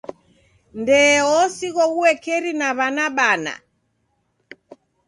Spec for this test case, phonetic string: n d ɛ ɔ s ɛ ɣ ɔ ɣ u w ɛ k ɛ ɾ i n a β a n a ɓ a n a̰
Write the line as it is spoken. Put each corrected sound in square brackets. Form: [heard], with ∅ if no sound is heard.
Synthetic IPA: n d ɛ ɔ s [i] ɣ ɔ ɣ u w ɛ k ɛ ɾ i n a β a n a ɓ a n a̰